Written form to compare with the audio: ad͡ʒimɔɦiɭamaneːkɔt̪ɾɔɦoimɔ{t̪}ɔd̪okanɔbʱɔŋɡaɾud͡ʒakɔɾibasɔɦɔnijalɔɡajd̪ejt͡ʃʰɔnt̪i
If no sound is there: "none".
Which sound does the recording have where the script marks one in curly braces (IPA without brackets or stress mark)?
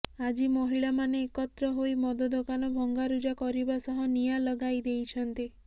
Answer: d̪